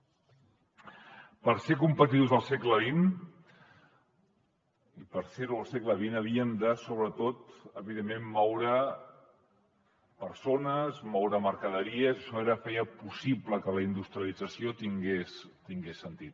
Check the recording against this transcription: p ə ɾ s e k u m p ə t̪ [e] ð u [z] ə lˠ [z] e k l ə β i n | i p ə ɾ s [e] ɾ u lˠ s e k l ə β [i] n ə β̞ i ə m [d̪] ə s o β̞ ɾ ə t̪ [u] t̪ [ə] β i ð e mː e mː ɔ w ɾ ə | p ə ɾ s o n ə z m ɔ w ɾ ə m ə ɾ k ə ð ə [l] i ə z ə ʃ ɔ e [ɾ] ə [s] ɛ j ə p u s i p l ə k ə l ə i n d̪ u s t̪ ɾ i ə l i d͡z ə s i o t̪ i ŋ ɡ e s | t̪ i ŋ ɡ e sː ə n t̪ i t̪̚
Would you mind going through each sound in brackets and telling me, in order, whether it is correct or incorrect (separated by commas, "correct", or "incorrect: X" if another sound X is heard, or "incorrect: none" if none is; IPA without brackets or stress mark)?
incorrect: i, correct, incorrect: s, correct, correct, correct, incorrect: o, correct, incorrect: ɾ, correct, incorrect: f